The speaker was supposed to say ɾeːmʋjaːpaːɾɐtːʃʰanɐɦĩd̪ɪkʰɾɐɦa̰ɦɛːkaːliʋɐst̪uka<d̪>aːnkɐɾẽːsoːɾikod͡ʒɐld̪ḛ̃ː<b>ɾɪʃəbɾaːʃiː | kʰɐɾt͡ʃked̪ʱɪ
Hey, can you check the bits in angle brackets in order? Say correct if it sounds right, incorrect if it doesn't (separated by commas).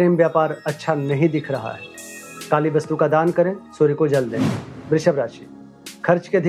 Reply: correct, correct